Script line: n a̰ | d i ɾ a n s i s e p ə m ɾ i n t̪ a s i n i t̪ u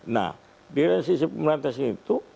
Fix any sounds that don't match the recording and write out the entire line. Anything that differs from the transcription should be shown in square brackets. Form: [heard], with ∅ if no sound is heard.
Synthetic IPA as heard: n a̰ | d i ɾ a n s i s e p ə m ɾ [a] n t̪ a s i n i t̪ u